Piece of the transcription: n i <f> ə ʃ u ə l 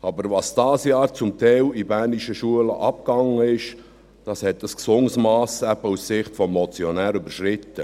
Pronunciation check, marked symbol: incorrect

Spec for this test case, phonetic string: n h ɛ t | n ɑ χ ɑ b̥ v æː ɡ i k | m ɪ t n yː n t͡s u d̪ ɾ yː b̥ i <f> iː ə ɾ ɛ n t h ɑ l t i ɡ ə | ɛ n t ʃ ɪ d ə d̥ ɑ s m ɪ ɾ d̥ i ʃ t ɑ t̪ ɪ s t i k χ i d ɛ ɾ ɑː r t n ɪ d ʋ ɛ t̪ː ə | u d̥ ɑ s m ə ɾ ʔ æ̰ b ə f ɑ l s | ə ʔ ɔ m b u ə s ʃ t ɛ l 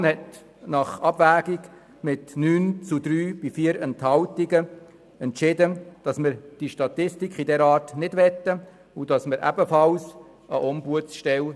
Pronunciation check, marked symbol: correct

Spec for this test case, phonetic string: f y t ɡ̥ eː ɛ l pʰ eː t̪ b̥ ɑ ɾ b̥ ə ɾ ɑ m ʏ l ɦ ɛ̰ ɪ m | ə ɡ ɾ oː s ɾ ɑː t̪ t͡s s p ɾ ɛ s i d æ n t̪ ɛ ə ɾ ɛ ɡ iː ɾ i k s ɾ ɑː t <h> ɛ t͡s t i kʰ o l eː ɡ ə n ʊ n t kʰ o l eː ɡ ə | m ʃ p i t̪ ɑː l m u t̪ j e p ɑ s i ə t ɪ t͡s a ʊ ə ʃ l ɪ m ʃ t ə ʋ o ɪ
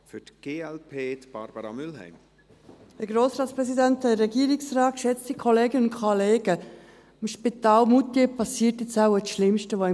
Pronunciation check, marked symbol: incorrect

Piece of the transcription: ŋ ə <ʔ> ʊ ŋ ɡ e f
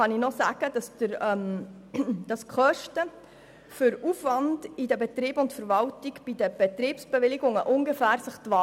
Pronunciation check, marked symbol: correct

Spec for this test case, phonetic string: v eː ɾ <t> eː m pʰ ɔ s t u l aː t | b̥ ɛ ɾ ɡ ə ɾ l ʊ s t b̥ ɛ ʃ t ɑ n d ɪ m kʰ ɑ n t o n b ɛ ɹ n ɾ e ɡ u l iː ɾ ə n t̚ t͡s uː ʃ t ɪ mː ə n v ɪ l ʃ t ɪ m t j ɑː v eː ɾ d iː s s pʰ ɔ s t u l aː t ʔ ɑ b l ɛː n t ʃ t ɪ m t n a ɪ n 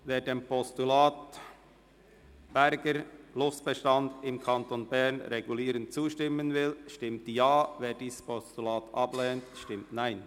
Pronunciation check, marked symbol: incorrect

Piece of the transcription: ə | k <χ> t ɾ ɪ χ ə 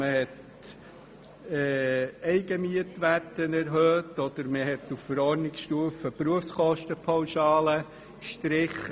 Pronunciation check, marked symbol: incorrect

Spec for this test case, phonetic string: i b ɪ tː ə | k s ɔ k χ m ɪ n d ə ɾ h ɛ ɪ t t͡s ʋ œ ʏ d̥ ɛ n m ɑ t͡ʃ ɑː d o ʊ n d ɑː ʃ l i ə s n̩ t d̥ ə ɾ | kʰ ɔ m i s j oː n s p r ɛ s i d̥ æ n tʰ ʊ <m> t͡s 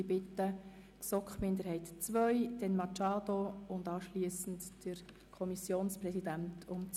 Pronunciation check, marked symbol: correct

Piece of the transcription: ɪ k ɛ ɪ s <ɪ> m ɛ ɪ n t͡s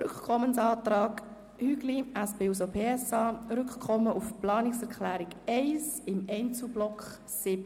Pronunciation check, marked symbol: correct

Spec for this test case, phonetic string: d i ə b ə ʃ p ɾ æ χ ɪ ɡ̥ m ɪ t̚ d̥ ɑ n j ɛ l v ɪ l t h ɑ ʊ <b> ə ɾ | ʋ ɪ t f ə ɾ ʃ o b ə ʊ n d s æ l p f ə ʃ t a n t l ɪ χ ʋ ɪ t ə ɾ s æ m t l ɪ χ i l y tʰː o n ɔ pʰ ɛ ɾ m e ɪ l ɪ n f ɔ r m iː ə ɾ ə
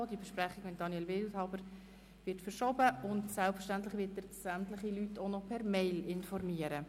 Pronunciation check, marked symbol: correct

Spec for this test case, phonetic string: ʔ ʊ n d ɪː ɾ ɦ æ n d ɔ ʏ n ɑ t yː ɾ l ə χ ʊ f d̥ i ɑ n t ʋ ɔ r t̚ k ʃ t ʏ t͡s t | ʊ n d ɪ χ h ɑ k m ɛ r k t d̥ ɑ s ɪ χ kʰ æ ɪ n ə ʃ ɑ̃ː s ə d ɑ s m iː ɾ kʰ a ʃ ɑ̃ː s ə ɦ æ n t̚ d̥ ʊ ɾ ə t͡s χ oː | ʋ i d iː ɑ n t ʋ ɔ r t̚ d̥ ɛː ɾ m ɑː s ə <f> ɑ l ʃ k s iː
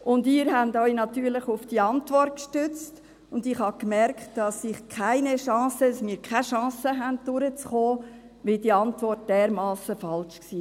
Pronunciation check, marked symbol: correct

